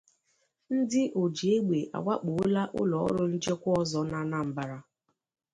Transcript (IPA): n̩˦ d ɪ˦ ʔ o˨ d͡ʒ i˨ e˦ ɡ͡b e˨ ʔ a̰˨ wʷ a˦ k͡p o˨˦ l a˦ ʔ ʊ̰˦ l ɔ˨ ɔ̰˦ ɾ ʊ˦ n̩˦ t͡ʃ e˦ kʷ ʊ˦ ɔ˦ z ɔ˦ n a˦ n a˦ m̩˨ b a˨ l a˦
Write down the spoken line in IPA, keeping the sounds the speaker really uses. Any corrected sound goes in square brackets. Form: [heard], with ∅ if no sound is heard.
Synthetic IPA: n̩˦ d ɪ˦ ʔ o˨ d͡ʒ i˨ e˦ ɡ͡b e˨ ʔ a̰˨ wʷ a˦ k͡p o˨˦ l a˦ ʔ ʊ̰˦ l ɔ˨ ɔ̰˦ ɾ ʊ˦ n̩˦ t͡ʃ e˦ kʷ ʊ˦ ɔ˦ z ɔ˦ n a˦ n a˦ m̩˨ b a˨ [ɾ] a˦